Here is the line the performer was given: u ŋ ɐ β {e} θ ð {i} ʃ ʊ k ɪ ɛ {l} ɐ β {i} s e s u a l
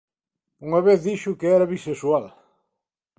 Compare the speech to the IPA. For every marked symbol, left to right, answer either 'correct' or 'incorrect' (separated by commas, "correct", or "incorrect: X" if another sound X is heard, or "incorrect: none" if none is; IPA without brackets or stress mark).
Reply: correct, correct, incorrect: ɾ, correct